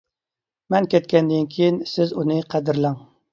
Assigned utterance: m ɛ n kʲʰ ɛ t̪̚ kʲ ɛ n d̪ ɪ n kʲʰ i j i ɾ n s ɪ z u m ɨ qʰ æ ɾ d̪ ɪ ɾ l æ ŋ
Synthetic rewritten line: m ɛ n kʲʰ ɛ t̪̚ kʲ ɛ n d̪ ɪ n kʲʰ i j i n s ɪ z u n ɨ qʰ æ d̪ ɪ ɾ l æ ŋ